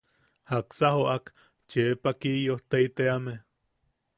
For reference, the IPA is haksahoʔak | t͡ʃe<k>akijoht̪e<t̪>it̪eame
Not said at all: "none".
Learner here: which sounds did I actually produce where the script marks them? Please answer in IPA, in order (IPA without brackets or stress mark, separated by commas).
p, none